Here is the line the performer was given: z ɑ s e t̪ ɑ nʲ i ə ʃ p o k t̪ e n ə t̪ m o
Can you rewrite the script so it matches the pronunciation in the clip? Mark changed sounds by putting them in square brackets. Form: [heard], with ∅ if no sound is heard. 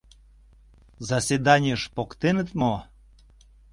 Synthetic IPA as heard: z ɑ s e [d̪] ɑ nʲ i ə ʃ p o k t̪ e n ə t̪ m o